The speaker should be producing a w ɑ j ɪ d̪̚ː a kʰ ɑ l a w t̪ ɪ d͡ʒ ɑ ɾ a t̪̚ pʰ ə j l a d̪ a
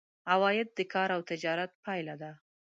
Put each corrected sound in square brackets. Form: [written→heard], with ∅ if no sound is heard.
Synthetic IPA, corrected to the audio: a w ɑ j ɪ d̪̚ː [a→ə] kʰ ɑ [l→ɾ] a w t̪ ɪ d͡ʒ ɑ ɾ a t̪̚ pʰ [ə→ɑ] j l a d̪ a